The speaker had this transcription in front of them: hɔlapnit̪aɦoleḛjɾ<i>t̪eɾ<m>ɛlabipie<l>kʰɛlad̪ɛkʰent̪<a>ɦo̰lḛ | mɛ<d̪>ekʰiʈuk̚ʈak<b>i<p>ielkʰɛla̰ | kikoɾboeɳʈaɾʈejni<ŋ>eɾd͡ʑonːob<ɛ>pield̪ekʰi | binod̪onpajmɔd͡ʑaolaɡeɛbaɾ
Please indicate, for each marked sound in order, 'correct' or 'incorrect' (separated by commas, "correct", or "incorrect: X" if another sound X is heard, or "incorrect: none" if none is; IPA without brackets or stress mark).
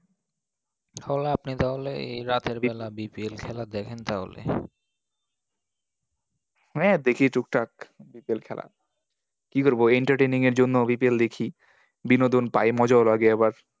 incorrect: a, incorrect: b, correct, correct, correct, correct, correct, correct, incorrect: i